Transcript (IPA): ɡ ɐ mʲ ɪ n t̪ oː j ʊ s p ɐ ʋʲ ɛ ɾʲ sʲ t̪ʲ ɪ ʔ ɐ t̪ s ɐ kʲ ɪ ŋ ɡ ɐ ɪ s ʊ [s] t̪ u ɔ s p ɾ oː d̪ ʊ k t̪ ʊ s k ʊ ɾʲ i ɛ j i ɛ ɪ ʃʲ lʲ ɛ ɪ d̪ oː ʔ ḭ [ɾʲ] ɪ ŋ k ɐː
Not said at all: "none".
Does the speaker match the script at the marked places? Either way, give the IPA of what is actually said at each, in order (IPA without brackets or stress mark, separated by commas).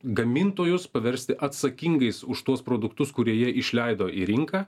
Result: ʃ, ɾʲ